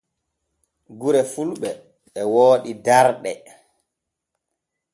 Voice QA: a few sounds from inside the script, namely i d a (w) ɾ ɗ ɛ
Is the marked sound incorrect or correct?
incorrect: none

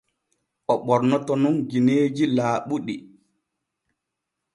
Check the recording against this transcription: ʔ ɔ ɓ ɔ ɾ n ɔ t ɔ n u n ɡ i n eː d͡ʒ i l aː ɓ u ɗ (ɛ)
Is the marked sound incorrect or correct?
incorrect: i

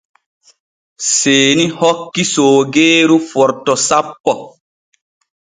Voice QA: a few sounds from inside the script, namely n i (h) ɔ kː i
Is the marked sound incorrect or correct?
correct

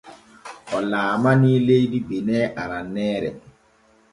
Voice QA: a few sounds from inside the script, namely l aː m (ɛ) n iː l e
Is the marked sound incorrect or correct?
incorrect: a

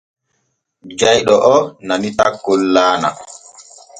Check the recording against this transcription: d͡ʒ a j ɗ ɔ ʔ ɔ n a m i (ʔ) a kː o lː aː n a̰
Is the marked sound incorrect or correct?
incorrect: t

